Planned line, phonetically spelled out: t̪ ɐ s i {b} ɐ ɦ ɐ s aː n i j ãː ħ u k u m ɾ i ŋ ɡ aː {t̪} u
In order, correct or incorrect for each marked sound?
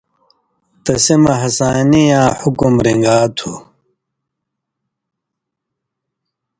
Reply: incorrect: m, incorrect: t̪ʰ

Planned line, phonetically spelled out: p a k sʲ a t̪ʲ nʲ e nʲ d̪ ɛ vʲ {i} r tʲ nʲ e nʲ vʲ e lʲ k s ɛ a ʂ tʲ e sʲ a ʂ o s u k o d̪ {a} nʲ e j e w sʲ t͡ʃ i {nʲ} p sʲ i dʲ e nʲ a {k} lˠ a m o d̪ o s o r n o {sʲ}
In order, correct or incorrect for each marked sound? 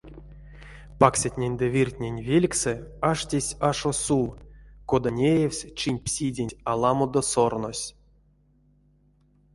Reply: correct, correct, correct, incorrect: none, correct

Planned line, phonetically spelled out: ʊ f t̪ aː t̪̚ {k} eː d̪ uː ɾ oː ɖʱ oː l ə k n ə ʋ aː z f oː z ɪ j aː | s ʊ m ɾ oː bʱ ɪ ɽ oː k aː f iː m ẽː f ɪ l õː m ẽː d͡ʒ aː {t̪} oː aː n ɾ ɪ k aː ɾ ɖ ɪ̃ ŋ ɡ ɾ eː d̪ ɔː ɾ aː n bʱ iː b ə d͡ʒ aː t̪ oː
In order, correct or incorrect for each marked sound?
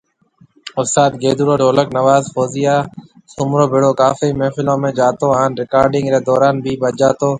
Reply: incorrect: ɡ, correct

